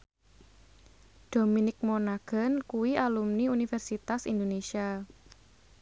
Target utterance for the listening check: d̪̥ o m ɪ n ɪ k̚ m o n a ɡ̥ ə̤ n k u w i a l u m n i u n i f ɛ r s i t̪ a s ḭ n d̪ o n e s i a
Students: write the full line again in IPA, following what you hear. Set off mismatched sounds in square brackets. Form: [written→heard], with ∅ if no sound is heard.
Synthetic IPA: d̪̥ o m [ɪ→i] n ɪ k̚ m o n a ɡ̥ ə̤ n k u w i a l u m n i u n i f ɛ r s i t̪ a s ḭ n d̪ o n e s i a